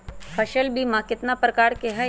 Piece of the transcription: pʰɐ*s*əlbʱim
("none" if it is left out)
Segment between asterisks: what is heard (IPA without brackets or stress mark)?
ʃ